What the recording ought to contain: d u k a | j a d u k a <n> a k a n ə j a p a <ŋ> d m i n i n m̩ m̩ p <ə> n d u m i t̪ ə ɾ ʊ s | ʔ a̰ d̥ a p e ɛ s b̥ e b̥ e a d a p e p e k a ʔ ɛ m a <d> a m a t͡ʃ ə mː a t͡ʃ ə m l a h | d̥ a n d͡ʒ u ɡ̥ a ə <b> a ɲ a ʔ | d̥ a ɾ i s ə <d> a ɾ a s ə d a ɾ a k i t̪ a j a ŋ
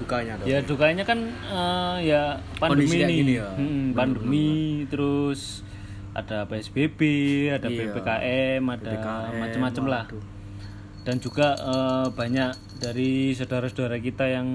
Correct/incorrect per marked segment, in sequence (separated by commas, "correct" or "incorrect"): incorrect, incorrect, incorrect, correct, correct, correct